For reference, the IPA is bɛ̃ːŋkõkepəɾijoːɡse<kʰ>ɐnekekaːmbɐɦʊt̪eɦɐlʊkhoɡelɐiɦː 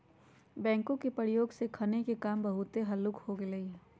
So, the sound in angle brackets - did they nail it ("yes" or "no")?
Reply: yes